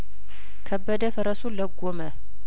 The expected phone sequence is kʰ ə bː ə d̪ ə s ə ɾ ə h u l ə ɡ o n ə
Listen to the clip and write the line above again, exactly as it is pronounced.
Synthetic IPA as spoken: kʰ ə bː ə d̪ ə f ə ɾ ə s u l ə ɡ o m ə